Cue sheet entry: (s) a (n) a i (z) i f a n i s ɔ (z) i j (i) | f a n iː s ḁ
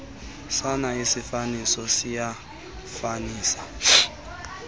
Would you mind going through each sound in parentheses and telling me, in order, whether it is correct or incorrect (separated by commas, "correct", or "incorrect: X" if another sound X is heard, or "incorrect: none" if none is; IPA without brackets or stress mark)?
correct, correct, incorrect: s, incorrect: s, incorrect: a